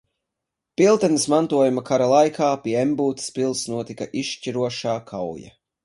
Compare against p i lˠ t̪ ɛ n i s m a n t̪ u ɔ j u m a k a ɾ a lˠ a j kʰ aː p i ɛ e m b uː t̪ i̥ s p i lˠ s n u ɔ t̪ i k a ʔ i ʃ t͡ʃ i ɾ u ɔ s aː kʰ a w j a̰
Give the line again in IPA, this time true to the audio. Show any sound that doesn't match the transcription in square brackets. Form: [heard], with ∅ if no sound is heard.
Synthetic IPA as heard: p i lˠ t̪ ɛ n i s m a n t̪ u ɔ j u m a k a ɾ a lˠ a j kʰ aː p i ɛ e m b uː t̪ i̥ s p i lˠ s n u ɔ t̪ i k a ʔ i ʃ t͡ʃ i ɾ u ɔ [ʃ] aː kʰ a w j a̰